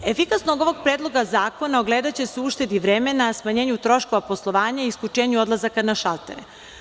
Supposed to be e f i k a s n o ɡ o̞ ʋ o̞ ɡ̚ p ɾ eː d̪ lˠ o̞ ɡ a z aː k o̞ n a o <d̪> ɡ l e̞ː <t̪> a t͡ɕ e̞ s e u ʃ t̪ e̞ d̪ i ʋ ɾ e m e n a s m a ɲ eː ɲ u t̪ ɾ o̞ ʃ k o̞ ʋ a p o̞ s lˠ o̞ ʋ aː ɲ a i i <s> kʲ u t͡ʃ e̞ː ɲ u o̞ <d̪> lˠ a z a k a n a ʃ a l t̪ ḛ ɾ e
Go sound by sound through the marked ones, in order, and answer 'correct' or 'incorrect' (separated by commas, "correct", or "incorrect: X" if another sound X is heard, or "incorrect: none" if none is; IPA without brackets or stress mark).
incorrect: none, incorrect: d̪, correct, correct